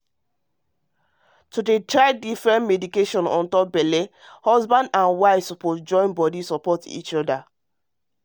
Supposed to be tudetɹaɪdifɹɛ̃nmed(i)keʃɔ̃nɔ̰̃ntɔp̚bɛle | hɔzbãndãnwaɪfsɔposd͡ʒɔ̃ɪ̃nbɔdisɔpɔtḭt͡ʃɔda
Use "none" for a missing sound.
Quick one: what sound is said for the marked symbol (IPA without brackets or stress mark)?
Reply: i